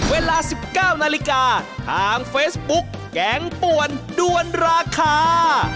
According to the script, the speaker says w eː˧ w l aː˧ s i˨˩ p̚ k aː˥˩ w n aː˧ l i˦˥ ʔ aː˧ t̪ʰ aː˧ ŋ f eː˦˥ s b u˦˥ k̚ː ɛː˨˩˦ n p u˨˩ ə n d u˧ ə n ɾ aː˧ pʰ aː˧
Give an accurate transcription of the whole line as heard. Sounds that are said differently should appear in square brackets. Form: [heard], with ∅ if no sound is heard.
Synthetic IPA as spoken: w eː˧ [∅] l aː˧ s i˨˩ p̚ k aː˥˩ w n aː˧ l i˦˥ [k] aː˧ t̪ʰ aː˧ ŋ f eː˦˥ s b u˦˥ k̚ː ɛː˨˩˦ [ŋ] p u˨˩ ə n d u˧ ə n ɾ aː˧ [kʰ] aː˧